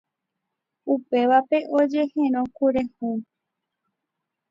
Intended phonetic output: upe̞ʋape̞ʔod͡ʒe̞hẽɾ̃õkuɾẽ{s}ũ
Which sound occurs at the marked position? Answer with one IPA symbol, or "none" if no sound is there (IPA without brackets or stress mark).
h